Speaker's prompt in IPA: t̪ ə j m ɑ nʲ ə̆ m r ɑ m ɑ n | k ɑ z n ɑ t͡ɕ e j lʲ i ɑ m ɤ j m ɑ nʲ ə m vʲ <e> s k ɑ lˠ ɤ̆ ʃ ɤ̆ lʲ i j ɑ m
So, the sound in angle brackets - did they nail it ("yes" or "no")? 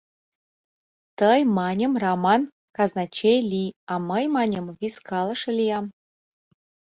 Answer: no